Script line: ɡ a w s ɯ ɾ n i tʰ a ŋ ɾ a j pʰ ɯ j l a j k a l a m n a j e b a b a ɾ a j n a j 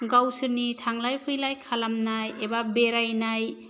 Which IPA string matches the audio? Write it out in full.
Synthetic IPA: ɡ a w s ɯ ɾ n i tʰ a ŋ l a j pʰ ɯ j l a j kʰ a l a m n a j e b a b e ɾ a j n a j